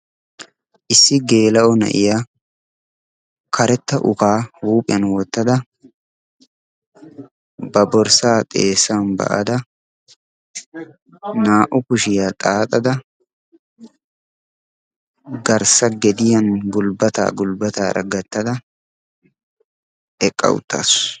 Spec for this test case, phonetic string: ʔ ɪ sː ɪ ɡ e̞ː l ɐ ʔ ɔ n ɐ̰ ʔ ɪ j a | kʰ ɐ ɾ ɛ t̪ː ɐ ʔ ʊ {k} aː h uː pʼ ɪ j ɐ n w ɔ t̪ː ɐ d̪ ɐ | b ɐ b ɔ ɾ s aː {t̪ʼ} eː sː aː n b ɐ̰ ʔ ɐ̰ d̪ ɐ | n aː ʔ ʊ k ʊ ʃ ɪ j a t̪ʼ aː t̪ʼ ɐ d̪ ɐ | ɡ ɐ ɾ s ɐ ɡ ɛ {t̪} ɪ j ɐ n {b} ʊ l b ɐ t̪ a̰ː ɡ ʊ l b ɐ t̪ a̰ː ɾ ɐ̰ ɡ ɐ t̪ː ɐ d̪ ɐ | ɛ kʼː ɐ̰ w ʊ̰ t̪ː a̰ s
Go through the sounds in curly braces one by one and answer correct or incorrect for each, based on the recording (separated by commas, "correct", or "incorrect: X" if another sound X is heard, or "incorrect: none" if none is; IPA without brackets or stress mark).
correct, correct, incorrect: d̪, incorrect: ɡ